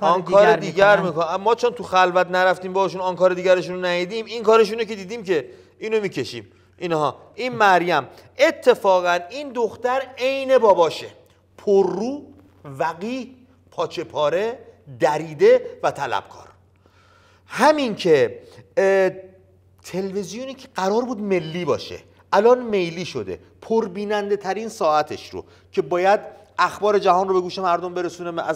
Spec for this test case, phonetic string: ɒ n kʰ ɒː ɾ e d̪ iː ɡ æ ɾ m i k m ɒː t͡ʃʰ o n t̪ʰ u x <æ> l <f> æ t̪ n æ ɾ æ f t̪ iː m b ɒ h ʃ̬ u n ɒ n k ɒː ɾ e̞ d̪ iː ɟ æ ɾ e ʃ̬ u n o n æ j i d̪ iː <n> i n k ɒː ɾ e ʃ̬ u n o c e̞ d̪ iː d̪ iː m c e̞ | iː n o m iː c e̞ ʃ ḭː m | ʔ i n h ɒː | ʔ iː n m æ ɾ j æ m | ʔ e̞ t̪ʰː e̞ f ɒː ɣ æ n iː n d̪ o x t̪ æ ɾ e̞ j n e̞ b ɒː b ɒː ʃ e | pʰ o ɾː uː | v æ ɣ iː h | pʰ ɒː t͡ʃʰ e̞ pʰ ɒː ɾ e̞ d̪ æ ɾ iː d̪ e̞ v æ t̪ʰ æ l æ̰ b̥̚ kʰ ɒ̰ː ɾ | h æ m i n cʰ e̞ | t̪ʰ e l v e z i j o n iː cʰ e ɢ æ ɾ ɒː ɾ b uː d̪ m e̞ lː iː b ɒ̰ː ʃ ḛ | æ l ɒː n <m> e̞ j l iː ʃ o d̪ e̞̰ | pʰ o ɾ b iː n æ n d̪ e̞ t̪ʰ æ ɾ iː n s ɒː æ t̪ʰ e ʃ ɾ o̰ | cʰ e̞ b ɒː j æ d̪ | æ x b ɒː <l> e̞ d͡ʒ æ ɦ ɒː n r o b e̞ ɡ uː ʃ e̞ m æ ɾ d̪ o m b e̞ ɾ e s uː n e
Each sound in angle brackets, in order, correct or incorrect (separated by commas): correct, incorrect, incorrect, correct, incorrect